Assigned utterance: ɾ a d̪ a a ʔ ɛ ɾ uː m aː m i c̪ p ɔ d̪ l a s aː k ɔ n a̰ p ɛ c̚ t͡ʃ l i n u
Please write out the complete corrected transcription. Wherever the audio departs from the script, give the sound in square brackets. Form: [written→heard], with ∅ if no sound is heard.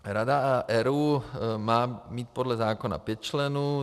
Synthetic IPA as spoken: ɾ a d̪ a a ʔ ɛ ɾ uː m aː m i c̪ p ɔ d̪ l a [s→z] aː k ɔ n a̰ p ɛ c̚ t͡ʃ l [i→ɛ] n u